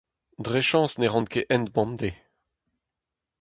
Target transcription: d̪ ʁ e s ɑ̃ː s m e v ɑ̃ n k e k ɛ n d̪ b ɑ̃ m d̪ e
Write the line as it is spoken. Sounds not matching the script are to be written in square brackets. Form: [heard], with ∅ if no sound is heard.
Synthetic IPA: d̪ ʁ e [ʃ] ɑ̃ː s [n] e [ʁ] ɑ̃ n k e [ʔ] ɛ n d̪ b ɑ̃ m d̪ e